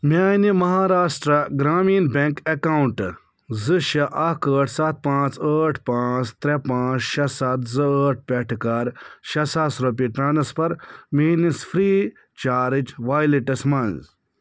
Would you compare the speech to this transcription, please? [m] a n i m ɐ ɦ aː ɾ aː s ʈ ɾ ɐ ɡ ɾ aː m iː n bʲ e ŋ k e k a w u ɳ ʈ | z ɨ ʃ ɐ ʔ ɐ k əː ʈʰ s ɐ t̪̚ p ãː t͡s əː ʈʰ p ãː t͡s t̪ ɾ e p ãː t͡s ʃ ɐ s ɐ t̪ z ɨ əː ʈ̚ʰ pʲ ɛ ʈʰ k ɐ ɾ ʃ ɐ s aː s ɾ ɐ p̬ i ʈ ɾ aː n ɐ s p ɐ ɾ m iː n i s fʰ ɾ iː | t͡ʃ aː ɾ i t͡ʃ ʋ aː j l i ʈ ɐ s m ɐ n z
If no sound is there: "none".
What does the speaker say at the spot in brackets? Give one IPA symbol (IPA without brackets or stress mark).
m